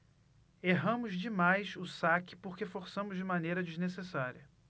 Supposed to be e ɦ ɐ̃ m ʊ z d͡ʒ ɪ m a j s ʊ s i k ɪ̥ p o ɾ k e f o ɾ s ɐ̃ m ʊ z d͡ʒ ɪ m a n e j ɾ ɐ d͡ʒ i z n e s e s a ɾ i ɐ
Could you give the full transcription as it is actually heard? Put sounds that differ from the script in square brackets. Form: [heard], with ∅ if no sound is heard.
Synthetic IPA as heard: e ɦ ɐ̃ m ʊ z d͡ʒ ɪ m a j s ʊ s [a] k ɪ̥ p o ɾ k e f o ɾ s ɐ̃ m ʊ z d͡ʒ ɪ m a n e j ɾ ɐ d͡ʒ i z n e s e s a ɾ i ɐ